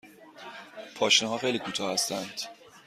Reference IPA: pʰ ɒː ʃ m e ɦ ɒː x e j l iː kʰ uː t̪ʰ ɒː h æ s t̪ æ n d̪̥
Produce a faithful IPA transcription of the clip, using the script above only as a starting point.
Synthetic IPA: pʰ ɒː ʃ n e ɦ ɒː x e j l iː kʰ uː t̪ʰ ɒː h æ s t̪ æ n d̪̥